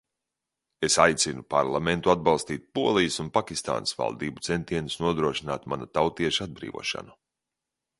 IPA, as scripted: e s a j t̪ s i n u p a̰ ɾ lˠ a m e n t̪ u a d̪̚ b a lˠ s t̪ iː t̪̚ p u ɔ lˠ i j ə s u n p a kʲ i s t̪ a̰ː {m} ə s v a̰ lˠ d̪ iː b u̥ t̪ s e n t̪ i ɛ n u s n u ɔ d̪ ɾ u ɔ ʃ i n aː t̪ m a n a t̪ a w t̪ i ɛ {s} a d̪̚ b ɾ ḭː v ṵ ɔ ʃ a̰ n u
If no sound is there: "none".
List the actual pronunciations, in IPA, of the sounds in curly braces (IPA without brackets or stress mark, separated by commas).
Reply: n, ʃ